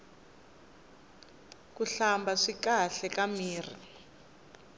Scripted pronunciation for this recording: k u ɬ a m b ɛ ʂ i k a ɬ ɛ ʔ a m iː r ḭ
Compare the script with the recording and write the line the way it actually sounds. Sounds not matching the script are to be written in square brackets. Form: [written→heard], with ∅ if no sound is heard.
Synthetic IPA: k u ɬ a m b [ɛ→a] ʂ i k a ɬ ɛ [ʔ→k] a m iː r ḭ